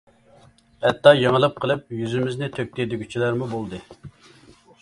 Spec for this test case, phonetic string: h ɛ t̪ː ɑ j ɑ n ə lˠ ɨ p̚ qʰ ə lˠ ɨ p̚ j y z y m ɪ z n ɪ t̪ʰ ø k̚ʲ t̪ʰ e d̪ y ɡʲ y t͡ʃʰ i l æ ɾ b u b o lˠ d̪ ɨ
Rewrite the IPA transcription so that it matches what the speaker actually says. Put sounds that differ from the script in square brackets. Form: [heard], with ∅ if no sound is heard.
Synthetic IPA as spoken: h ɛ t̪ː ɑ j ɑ [ŋ] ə lˠ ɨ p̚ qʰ ə lˠ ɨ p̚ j y z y m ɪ z n ɪ t̪ʰ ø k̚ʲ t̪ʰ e d̪ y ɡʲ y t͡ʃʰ i l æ ɾ [m] u b o lˠ d̪ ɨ